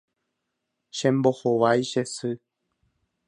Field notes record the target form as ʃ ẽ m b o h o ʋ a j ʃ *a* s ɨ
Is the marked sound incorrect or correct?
incorrect